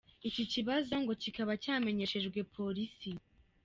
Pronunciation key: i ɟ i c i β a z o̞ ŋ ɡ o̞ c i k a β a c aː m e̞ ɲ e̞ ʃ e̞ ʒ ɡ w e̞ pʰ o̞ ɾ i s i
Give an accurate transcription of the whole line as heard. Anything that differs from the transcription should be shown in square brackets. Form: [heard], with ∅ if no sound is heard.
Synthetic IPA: i [c] i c i β a z o̞ ŋ ɡ o̞ c i k a β a c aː m e̞ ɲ e̞ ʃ e̞ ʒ ɡ w e̞ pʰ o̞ ɾ i s i